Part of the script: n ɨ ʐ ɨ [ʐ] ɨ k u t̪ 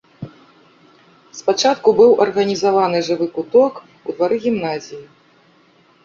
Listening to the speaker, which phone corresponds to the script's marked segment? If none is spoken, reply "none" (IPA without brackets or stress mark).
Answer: v